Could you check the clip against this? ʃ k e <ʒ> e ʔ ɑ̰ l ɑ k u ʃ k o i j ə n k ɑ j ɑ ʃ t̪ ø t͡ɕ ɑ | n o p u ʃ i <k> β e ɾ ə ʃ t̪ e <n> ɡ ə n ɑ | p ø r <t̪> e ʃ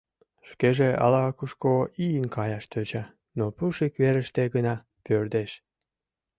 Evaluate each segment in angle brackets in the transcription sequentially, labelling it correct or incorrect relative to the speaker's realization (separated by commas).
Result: correct, correct, incorrect, incorrect